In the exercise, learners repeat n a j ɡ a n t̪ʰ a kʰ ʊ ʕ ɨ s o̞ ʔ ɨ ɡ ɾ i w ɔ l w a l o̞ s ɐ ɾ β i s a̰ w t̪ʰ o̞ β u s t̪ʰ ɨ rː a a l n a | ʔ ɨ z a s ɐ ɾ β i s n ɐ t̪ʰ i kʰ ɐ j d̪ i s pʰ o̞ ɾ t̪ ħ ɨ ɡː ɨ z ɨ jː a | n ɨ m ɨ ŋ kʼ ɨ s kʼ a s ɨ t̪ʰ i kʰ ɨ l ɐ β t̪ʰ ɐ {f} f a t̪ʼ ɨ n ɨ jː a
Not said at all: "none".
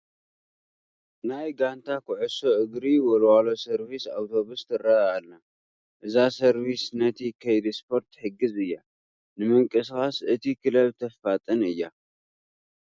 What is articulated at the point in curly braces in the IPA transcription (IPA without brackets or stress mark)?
f